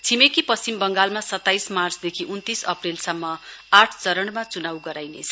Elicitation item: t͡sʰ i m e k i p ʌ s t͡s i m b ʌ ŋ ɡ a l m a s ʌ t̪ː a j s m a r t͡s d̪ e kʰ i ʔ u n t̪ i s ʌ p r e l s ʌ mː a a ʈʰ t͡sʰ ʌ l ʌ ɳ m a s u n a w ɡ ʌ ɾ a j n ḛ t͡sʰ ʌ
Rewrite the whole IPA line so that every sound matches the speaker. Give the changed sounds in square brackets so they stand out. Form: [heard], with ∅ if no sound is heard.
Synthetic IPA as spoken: t͡sʰ i m e k i p ʌ s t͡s i m b ʌ ŋ ɡ a l m a s ʌ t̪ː a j s m a r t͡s d̪ e kʰ i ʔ u n t̪ i s ʌ p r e l s ʌ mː [ʌ] a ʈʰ [t͡s] ʌ [ɾ] ʌ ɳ m a [t͡s] u n a w ɡ ʌ ɾ a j n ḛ t͡sʰ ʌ